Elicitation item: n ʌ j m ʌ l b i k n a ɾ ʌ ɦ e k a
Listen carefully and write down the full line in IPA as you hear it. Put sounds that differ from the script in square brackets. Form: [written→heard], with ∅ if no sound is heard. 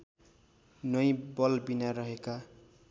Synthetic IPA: n ʌ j [m→b] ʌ l b i [k→∅] n a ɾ ʌ ɦ e k a